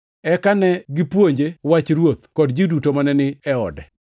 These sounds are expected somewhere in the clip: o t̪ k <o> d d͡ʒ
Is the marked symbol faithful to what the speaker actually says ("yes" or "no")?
no